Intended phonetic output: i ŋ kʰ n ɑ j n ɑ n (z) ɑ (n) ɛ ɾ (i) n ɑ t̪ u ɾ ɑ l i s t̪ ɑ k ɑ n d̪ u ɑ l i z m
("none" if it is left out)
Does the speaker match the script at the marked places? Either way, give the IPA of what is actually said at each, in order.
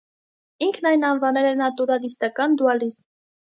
v, n, ɛ

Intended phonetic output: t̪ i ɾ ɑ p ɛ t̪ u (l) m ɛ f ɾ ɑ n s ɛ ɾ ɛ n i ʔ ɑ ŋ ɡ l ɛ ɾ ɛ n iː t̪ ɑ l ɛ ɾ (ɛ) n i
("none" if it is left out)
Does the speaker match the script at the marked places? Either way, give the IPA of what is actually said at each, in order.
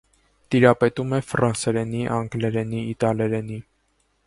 none, ɛ

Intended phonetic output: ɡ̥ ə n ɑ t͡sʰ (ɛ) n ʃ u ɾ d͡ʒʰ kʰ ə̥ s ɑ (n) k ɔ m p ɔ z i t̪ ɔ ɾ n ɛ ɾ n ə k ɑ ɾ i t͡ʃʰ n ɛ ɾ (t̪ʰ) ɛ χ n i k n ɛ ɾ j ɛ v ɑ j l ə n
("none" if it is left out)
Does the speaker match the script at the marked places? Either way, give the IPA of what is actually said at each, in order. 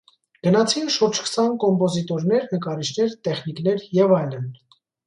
i, n, t̪

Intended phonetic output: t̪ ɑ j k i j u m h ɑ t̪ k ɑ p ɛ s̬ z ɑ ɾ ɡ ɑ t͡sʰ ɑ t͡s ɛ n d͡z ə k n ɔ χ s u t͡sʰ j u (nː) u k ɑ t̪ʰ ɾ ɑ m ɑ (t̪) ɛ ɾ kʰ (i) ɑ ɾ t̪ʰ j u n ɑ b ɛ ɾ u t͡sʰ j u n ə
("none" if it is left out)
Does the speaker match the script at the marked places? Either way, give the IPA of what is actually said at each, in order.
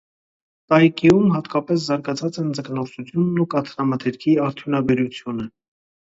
nː, t̪ʰ, i

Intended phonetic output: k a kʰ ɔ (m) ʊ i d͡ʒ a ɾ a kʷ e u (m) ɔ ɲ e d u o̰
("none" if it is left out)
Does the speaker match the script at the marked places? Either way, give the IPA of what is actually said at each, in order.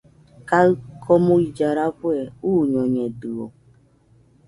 m, ɲ

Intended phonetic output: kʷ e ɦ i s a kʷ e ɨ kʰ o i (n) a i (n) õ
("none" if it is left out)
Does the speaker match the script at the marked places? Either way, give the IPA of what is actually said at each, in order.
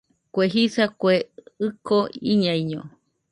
ɲ, ɲ

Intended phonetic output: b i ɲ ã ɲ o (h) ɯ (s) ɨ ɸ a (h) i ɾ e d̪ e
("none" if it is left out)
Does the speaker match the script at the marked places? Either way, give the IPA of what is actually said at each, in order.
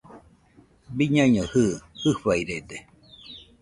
h, h, none

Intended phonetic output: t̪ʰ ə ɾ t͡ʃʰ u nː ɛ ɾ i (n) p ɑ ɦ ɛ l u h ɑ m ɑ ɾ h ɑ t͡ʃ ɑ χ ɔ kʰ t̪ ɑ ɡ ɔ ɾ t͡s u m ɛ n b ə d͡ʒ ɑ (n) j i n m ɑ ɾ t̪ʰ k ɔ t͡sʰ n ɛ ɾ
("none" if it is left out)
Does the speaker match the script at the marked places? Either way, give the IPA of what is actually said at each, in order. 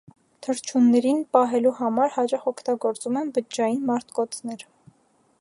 n, none

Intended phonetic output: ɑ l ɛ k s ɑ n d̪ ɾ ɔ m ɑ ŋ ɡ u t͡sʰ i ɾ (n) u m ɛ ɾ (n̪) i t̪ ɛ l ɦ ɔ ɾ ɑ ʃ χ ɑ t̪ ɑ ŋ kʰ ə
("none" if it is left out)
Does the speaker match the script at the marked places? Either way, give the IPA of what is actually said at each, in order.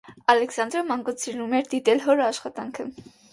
n, d̪

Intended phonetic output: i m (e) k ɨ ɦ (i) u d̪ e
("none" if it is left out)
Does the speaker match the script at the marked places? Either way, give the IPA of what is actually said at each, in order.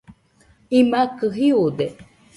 a, i

